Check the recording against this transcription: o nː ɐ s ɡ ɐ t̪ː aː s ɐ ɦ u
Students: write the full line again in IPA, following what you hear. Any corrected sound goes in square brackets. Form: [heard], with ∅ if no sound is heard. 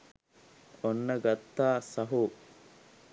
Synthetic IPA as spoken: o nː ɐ [∅] ɡ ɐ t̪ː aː s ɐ ɦ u